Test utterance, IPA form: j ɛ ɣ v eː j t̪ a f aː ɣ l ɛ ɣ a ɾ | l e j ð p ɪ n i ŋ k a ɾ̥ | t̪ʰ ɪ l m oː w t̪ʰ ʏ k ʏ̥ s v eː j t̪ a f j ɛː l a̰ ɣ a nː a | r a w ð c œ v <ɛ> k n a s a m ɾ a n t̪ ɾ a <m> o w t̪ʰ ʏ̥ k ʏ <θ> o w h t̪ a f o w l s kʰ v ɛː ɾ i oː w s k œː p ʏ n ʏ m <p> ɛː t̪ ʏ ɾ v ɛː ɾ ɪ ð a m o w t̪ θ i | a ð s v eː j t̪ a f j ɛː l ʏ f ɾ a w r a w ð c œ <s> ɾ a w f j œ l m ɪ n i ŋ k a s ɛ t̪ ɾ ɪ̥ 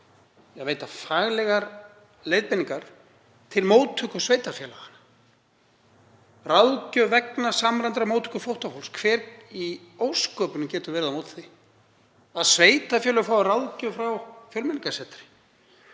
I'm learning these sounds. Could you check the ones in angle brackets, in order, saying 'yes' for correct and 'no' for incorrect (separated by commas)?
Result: yes, yes, no, no, no